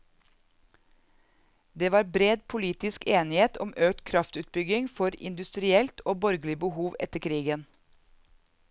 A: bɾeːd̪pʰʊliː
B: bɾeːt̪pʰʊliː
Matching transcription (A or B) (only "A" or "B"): A